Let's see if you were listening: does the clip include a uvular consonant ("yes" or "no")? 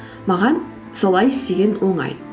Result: yes